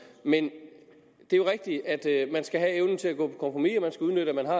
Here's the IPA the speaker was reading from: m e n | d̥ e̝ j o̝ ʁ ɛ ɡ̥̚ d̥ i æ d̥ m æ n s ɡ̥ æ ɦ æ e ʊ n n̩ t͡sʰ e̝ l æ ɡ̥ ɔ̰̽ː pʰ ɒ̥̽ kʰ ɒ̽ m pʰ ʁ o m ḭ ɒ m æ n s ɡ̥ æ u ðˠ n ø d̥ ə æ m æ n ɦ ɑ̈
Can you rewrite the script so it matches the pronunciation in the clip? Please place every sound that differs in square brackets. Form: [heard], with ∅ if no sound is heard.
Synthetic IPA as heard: m e n | d̥ e̝ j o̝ ʁ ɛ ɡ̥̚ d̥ i æ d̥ m æ n s ɡ̥ æ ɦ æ e ʊ n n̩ t͡sʰ e̝ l æ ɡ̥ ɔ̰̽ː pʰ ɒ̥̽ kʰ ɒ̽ m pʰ ʁ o m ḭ ɒ m æ n s ɡ̥ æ u ðˠ n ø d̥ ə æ m æ n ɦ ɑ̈